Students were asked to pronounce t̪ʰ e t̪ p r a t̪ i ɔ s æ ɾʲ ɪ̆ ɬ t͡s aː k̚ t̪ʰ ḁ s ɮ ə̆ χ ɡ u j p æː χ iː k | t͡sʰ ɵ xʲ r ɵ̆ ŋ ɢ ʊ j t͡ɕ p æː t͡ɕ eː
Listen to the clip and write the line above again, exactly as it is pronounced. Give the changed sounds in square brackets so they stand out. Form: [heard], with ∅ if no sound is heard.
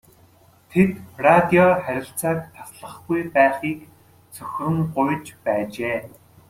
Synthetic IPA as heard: t̪ʰ e t̪ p r a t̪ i ɔ [χ] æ ɾʲ ɪ̆ ɬ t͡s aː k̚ t̪ʰ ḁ s ɮ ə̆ χ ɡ u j p æː χ iː k | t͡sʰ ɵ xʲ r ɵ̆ ŋ ɢ ʊ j t͡ɕ p æː t͡ɕ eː